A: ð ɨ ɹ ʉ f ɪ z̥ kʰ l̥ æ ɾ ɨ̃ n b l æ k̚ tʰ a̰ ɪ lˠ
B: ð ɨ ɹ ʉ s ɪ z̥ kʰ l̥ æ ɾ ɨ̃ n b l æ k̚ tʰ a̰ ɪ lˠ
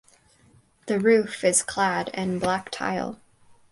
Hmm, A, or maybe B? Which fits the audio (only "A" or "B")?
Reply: A